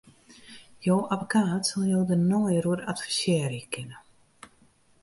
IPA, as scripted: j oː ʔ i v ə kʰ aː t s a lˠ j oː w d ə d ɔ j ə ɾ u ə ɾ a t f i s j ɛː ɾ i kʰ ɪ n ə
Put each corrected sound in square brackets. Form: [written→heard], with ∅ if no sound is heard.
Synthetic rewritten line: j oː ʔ [i→a] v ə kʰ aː t s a lˠ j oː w d ə [d→n] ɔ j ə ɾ u ə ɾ a t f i s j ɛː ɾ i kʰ ɪ n ə